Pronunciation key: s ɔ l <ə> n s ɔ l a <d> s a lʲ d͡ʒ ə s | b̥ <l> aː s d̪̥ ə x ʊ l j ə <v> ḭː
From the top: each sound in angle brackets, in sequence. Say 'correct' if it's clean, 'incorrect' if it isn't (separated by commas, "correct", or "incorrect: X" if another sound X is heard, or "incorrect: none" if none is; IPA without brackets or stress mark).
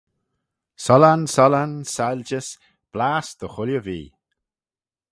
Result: incorrect: a, incorrect: n, correct, correct